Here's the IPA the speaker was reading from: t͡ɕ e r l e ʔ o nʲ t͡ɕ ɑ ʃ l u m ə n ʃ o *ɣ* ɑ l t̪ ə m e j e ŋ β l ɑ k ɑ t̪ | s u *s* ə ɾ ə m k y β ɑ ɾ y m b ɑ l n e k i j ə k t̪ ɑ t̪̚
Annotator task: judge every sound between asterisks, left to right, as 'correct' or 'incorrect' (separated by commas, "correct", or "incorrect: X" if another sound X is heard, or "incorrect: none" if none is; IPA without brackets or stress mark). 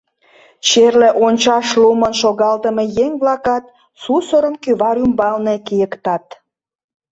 correct, correct